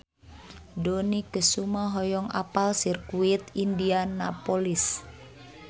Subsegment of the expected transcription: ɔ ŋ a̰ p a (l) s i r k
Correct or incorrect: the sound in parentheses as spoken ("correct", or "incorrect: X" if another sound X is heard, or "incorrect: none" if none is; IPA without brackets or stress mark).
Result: correct